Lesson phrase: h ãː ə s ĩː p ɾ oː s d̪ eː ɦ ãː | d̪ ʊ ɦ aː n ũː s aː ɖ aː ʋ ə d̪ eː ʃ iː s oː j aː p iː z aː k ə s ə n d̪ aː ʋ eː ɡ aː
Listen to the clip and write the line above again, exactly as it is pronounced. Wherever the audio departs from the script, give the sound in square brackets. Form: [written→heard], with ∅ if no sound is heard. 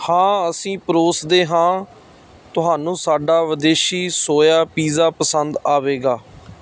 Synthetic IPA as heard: h ãː ə s ĩː p ɾ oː s d̪ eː ɦ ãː | [d̪→t̪] ʊ ɦ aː n ũː s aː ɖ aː ʋ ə d̪ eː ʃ iː s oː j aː p iː z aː [k→p] ə s ə n d̪ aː ʋ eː ɡ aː